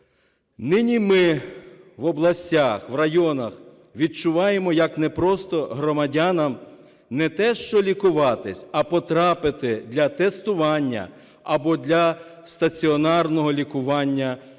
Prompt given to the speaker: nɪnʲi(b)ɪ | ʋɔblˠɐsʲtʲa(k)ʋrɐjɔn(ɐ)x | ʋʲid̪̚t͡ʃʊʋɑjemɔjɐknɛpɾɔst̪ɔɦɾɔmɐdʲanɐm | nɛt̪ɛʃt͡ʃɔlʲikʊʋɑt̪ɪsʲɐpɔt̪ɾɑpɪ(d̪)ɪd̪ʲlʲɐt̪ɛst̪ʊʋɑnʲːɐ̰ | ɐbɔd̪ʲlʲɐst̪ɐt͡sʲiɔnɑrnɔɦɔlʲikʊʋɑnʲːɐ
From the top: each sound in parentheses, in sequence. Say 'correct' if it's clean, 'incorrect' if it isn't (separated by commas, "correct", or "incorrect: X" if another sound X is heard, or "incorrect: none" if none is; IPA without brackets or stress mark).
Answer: incorrect: m, incorrect: x, correct, incorrect: t̪